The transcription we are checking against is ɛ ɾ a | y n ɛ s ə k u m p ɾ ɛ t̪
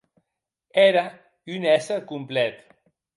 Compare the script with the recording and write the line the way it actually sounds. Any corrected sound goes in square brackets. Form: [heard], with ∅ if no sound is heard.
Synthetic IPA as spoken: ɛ ɾ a | y n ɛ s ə k u m p [l] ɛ t̪